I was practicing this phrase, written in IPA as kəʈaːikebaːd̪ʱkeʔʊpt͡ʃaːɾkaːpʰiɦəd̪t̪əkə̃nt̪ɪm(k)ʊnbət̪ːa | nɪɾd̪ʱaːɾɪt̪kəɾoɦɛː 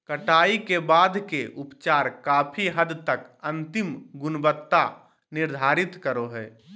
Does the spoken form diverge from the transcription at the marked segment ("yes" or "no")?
yes